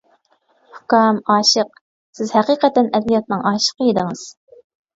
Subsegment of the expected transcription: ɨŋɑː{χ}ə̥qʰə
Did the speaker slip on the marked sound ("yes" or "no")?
yes